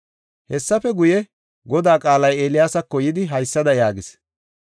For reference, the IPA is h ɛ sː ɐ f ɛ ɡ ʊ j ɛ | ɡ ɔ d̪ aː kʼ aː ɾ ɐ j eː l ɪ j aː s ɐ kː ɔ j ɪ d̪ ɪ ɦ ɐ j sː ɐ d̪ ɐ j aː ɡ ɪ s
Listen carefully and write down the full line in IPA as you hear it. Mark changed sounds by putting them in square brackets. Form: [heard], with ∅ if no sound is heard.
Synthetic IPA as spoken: h ɛ sː ɐ f ɛ ɡ ʊ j ɛ | ɡ ɔ d̪ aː kʼ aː [l] ɐ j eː l ɪ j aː s ɐ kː ɔ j ɪ d̪ ɪ ɦ ɐ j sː ɐ d̪ ɐ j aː ɡ ɪ s